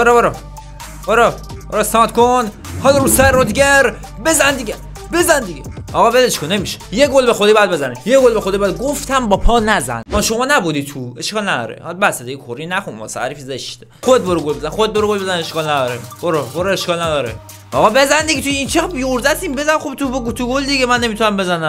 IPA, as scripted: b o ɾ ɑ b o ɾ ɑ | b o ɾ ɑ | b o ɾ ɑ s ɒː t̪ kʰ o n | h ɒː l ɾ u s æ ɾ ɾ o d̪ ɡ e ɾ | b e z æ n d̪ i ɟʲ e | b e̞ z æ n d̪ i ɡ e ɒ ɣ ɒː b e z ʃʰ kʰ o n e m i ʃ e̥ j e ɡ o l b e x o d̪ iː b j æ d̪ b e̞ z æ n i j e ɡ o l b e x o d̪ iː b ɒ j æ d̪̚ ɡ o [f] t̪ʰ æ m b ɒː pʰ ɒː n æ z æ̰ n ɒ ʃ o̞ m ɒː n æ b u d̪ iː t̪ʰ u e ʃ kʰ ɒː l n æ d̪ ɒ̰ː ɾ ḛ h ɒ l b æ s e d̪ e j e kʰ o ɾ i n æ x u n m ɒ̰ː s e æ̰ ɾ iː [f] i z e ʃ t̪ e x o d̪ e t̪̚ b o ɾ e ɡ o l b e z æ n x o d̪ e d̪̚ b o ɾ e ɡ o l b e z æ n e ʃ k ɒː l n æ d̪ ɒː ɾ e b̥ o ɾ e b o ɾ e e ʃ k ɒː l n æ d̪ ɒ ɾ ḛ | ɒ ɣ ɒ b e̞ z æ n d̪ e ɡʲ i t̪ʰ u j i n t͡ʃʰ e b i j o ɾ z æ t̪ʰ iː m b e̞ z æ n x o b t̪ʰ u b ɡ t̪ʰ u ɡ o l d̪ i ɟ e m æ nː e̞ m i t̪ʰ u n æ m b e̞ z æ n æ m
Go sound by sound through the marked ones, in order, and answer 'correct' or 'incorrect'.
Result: correct, correct

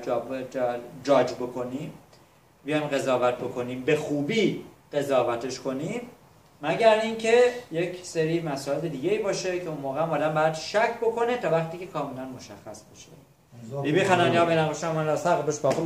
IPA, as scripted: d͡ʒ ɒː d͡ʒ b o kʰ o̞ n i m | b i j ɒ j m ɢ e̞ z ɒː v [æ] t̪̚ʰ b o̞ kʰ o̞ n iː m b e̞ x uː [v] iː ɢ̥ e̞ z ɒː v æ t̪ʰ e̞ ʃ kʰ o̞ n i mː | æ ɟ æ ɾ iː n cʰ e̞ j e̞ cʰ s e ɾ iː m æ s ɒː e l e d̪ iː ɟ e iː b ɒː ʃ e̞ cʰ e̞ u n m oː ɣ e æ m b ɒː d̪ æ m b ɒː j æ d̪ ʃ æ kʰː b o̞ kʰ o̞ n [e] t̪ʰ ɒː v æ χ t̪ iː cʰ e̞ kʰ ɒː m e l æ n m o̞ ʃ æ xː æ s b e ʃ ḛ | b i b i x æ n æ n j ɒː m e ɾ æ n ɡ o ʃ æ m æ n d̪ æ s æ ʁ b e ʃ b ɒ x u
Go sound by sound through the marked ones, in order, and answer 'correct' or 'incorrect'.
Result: correct, incorrect, correct

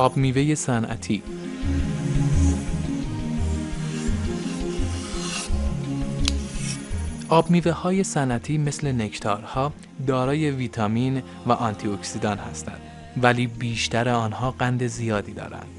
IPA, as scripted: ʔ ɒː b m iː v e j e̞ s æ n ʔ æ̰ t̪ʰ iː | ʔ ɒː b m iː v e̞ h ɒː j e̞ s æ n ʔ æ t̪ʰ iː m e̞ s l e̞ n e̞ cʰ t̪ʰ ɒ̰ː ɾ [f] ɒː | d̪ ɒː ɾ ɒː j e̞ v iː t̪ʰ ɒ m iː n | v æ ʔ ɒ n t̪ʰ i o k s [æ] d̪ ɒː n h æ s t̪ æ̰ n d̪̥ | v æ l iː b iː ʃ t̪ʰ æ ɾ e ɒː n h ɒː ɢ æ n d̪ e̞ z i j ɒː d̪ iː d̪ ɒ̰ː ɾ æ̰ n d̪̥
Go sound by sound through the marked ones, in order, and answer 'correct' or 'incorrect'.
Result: incorrect, incorrect

